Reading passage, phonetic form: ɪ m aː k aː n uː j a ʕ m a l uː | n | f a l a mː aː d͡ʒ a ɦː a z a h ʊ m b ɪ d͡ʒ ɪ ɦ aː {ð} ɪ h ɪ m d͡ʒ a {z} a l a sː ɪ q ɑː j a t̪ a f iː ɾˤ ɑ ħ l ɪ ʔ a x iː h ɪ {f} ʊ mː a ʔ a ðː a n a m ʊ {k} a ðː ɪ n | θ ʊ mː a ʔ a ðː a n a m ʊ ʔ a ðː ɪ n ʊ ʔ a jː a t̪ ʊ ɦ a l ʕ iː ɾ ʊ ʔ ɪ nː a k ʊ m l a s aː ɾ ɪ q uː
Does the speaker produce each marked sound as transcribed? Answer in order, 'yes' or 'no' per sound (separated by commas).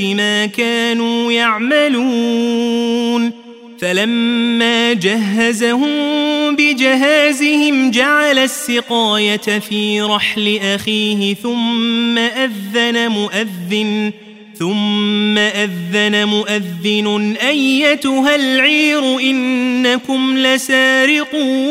no, no, no, no